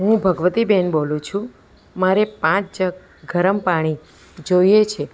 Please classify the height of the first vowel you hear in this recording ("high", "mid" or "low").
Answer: high